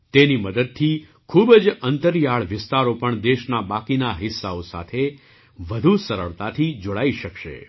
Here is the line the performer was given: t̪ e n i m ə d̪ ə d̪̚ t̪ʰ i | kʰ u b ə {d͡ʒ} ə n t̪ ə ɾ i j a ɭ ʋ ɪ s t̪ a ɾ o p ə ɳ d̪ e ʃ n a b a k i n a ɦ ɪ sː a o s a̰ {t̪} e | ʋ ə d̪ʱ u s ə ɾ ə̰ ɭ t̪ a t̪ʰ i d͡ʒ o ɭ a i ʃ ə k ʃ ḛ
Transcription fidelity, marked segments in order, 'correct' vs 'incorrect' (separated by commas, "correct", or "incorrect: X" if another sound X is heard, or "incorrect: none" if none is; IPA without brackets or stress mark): correct, incorrect: t̪ʰ